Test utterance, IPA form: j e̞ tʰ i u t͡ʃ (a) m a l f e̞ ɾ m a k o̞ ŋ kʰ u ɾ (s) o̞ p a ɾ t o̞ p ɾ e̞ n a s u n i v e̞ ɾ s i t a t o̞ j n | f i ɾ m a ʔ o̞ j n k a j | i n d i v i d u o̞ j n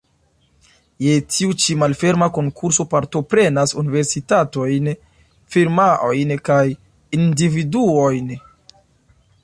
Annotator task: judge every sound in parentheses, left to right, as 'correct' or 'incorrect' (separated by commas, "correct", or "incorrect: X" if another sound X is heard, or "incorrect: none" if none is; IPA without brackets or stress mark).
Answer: incorrect: i, correct